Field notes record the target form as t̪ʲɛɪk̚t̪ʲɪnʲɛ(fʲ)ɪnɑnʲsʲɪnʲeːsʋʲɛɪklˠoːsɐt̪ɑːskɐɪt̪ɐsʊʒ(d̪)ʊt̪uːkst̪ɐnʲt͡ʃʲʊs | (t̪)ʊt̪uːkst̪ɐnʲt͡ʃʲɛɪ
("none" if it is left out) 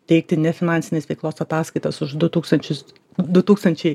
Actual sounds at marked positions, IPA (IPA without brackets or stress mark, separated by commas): fʲ, d̪, d̪